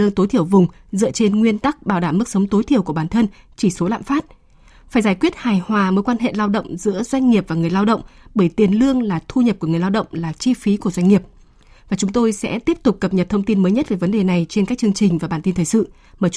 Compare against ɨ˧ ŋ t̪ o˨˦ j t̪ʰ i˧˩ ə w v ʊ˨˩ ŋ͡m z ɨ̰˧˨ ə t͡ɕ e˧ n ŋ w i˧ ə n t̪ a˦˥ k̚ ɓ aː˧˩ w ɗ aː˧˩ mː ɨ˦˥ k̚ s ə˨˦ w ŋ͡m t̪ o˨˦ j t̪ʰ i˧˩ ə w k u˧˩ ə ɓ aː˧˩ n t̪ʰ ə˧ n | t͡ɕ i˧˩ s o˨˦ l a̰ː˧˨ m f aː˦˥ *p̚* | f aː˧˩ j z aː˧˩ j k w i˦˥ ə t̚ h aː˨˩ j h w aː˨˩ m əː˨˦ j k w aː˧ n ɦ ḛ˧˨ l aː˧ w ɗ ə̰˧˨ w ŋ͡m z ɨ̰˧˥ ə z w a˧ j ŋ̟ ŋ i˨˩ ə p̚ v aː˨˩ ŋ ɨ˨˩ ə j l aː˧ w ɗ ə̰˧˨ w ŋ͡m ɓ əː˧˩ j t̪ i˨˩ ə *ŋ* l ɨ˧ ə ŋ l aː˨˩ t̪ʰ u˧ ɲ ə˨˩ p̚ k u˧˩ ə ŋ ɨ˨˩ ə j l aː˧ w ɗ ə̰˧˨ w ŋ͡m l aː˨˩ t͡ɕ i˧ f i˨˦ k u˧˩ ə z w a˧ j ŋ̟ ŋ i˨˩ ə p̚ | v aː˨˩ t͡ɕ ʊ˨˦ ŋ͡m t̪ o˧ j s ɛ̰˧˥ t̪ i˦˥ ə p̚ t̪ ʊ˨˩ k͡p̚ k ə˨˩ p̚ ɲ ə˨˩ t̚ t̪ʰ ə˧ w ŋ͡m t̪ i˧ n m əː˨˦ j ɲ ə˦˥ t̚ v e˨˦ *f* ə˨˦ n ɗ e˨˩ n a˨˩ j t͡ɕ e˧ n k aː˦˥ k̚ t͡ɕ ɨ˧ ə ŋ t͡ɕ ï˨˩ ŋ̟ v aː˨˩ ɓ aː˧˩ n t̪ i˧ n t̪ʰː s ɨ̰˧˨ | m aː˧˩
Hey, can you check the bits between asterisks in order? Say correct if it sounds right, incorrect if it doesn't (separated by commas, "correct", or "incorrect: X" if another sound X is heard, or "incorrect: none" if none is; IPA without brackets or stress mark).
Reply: incorrect: t̚, incorrect: n, incorrect: v